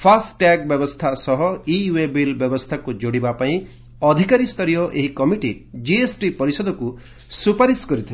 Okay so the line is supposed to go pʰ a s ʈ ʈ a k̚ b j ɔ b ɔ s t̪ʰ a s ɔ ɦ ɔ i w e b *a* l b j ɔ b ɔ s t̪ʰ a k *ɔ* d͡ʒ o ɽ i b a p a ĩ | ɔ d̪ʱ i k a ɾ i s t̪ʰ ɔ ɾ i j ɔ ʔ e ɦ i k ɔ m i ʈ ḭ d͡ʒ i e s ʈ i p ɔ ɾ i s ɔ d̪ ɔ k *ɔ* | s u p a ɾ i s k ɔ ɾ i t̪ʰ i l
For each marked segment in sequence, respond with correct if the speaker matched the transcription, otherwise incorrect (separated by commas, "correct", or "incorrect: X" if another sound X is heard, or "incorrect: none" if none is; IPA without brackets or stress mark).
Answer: incorrect: i, incorrect: u, incorrect: u